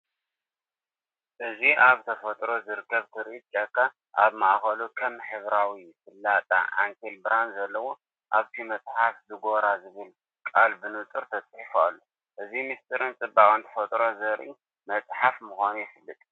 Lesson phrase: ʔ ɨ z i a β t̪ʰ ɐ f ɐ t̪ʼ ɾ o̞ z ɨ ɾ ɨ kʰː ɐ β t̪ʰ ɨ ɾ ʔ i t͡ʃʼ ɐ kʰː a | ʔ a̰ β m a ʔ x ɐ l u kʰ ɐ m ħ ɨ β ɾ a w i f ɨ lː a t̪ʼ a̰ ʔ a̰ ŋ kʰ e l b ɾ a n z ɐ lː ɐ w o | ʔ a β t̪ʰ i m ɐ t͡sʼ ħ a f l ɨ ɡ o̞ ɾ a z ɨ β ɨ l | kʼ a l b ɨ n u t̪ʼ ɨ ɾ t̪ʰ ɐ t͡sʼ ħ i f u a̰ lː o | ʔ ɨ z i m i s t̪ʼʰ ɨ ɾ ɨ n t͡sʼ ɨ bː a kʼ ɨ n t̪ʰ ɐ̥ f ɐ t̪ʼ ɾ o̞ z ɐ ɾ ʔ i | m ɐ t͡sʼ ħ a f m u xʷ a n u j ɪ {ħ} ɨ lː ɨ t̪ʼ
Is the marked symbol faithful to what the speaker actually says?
no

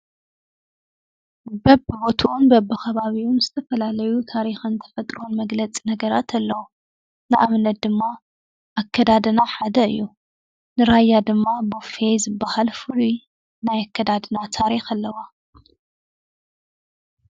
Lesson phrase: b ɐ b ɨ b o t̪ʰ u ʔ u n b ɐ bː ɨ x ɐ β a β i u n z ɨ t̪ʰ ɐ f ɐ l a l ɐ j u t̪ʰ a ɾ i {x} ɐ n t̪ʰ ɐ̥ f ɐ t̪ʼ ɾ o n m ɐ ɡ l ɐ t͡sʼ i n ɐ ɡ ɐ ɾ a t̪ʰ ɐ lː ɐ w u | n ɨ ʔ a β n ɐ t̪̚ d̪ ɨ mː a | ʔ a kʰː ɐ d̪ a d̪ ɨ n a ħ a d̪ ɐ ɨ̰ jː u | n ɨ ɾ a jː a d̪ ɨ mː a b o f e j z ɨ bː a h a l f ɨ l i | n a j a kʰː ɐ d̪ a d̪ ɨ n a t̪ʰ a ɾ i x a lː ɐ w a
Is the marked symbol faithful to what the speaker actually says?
yes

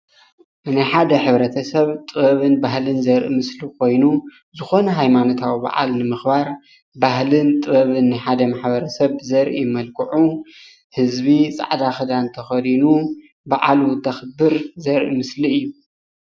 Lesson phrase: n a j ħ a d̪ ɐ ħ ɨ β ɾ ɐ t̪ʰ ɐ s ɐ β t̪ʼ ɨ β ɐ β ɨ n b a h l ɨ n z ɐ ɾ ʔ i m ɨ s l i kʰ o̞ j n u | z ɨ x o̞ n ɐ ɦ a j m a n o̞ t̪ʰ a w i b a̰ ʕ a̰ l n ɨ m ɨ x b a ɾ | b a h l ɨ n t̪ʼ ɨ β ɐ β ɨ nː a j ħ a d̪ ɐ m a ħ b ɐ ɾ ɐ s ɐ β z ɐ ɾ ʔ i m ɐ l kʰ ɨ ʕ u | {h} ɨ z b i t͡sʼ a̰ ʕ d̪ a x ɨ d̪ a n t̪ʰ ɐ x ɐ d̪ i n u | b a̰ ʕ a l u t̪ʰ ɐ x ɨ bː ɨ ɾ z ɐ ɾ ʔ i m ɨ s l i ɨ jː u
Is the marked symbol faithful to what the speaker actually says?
yes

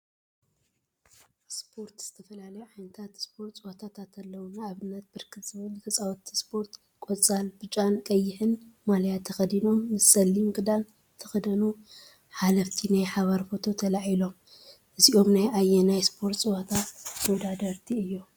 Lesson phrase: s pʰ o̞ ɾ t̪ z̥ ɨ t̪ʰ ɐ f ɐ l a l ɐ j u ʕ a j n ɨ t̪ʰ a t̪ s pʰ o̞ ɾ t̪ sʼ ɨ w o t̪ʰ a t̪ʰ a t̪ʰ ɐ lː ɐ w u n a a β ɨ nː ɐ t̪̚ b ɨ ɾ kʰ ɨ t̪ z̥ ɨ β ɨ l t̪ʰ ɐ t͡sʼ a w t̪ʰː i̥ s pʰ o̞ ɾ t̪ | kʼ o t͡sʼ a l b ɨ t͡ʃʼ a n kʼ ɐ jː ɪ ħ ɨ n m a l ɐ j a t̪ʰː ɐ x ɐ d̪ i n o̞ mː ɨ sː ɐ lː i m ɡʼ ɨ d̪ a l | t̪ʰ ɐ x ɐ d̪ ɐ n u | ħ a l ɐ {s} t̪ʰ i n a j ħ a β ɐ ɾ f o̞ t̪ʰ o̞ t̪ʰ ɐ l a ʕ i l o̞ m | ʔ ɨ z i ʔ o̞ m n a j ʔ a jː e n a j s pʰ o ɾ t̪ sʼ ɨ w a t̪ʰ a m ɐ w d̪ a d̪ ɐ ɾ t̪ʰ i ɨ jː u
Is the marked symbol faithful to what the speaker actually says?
no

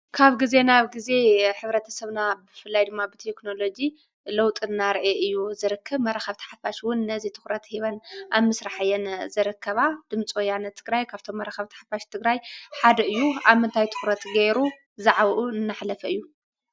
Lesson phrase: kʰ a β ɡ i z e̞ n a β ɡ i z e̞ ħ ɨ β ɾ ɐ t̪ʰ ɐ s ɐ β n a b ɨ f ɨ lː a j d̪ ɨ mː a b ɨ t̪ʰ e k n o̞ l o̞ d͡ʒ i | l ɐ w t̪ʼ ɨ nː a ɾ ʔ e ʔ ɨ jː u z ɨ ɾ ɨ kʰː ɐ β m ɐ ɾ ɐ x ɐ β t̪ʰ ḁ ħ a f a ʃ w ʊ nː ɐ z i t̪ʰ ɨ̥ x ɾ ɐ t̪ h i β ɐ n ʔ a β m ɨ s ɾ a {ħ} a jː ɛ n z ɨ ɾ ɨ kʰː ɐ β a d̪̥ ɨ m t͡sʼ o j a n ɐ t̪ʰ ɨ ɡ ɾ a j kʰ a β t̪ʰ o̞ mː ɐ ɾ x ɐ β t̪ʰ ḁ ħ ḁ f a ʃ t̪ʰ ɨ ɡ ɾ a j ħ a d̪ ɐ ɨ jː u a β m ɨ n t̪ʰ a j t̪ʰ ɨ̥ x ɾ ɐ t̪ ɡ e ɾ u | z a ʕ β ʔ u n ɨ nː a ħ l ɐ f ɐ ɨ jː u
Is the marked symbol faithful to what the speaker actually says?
yes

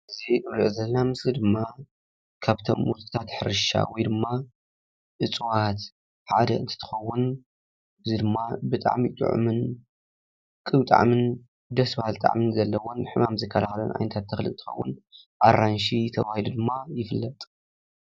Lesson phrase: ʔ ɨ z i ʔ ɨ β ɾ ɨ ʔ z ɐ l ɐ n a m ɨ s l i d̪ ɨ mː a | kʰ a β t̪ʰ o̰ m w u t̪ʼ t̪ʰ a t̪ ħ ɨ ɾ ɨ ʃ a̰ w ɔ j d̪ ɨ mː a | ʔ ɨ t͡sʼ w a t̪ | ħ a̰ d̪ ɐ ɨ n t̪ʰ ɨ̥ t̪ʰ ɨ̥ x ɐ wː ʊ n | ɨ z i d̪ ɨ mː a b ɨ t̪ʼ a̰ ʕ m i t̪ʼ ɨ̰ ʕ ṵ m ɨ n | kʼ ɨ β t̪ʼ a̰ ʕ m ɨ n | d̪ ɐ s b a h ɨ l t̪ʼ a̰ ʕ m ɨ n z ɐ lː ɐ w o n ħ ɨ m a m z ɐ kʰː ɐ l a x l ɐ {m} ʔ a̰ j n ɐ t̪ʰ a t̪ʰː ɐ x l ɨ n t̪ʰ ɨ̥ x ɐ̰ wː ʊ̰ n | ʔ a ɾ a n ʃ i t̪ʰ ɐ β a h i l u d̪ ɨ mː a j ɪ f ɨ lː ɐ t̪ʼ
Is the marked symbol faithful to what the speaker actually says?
no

